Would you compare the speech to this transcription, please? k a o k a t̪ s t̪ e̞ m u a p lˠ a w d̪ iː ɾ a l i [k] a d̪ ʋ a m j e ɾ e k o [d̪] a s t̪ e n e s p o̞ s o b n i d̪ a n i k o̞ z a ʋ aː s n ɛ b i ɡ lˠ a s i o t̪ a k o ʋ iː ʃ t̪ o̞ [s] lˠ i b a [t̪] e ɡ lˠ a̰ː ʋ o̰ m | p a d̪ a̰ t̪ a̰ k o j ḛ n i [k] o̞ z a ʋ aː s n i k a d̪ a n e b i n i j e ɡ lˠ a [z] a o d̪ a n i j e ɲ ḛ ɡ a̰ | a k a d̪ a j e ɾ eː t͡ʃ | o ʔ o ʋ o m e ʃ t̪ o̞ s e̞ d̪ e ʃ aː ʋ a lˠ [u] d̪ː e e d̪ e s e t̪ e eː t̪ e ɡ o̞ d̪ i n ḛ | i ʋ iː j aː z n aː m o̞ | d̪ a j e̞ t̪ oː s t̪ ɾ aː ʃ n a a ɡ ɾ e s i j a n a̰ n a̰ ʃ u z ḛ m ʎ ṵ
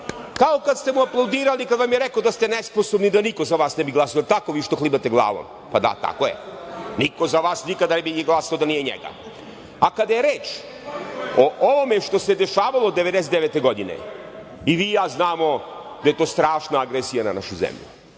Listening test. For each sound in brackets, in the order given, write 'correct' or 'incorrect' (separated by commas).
correct, correct, incorrect, correct, correct, incorrect, incorrect